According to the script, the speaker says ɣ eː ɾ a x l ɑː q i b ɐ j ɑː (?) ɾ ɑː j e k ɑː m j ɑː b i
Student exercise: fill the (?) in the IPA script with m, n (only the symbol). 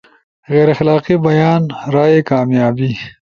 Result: n